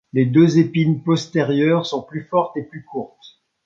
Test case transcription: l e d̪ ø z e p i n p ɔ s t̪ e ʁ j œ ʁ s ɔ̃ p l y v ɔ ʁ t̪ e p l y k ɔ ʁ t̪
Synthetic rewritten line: l e d̪ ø z e p i n p ɔ s t̪ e ʁ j œ ʁ s ɔ̃ p l y f ɔ ʁ t̪ e p l y k u ʁ t̪